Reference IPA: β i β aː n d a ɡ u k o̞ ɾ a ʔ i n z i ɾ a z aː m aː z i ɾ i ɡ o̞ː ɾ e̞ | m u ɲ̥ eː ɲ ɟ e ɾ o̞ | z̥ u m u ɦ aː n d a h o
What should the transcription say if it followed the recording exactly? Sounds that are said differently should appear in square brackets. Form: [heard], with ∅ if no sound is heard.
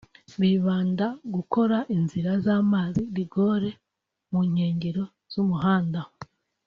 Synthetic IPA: β i β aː n d a ɡ u k o̞ ɾ a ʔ i n z i ɾ a z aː m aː z i ɾ i ɡ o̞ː ɾ e̞ | m u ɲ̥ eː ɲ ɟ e ɾ o̞ | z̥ u m u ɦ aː n d a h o